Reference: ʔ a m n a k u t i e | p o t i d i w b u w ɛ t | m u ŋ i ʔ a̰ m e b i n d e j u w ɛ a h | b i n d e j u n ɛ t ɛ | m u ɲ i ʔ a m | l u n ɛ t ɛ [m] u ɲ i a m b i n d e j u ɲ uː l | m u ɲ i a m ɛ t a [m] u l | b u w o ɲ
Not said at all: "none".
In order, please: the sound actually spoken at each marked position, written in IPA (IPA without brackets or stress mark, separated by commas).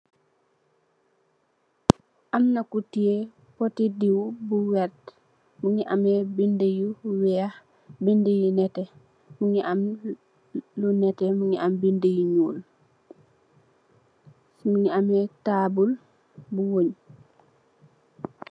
m, b